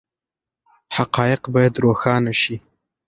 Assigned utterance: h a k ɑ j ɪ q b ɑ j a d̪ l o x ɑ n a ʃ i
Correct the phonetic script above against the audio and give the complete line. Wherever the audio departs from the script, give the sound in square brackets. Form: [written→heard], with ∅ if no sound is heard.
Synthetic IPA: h a [k→q] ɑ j ɪ q b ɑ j a d̪ [l→ɾ] o x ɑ n a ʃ i

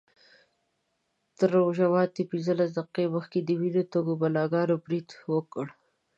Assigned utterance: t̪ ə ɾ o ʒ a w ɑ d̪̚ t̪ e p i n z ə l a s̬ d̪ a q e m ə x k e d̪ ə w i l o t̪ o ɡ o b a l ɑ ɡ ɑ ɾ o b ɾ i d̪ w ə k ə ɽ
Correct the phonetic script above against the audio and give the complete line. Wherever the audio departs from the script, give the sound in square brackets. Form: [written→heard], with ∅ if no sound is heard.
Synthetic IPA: t̪ ə ɾ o ʒ a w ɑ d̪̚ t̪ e p i n z ə l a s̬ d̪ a q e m ə x k e d̪ ə w i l o t̪ o ɡ o b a l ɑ ɡ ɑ ɾ o b ɾ i d̪ w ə k ə ɽ

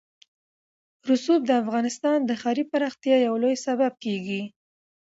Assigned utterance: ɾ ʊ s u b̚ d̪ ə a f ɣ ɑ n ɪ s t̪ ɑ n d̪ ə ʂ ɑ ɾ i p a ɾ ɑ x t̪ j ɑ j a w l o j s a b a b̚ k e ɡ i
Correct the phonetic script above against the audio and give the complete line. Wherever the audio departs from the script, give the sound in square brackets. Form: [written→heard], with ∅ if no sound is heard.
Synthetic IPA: ɾ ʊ s u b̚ d̪ ə a f ɣ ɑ n ɪ s t̪ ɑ n d̪ ə [ʂ→x] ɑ ɾ i p a ɾ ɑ x t̪ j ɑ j a w l o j s a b a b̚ k e ɡ i

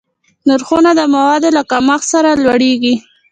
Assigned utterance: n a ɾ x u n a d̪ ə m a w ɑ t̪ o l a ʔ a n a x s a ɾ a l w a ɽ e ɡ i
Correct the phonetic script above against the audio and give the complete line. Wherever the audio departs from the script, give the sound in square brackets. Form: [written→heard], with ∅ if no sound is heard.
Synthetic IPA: n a ɾ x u n a d̪ ə m a w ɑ [t̪→d̪] o l a [ʔ→k] a [n→m] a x s a ɾ a l w a ɽ e ɡ i

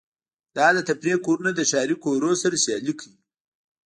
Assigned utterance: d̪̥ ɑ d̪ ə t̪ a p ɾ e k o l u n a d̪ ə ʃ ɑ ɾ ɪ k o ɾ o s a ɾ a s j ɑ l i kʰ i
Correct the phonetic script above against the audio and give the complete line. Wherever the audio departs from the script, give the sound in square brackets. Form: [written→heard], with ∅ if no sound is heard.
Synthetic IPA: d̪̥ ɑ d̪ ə t̪ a p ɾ e k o [l→ɾ] u n a d̪ ə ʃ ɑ ɾ [ɪ→i] k o ɾ o s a ɾ a s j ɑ l i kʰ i

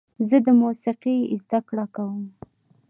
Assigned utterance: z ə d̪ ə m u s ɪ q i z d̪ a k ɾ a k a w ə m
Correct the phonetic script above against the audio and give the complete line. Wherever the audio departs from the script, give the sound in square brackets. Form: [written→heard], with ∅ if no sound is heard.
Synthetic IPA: z ə d̪ ə m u s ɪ q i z d̪ a k [ɾ→ɽ] a k a w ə m

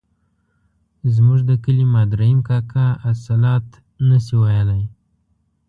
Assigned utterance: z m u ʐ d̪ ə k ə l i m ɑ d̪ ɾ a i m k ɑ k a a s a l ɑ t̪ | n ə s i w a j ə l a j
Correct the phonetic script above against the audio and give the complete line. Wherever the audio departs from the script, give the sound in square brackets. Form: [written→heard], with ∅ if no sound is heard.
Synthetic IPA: z m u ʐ d̪ ə k ə l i m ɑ d̪ ɾ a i m k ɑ k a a s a l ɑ t̪ | n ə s i w a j ə l a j

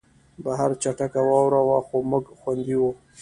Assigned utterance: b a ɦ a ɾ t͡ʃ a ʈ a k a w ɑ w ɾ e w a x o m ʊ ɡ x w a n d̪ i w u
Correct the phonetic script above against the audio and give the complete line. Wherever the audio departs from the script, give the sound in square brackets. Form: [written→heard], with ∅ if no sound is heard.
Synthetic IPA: b a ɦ a ɾ t͡ʃ a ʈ a k a w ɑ w ɾ [e→a] w a x o m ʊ ɡ x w a n d̪ i w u

